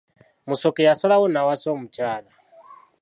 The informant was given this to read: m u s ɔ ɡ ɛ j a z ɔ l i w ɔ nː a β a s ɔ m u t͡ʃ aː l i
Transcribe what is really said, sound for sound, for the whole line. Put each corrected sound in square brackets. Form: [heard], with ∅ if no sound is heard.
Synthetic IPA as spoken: m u s ɔ [k] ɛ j a [s] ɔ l [a] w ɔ [n] a [w] a s ɔ m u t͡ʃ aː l [a]